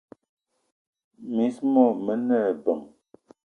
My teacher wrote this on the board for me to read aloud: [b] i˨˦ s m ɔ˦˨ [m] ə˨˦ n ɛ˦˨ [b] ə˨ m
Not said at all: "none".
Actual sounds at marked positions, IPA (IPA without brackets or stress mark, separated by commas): m, m, b